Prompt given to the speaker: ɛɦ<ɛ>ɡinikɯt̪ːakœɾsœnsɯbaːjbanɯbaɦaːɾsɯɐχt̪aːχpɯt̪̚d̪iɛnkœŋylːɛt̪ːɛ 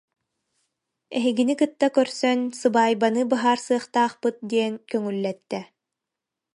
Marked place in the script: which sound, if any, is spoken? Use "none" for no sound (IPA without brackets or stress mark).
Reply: i